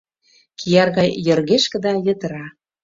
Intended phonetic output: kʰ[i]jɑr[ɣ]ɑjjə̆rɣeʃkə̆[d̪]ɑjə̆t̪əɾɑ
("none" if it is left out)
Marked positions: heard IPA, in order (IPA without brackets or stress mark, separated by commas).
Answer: i, ɣ, d̪